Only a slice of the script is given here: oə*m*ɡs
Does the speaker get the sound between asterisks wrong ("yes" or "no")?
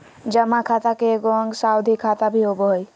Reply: yes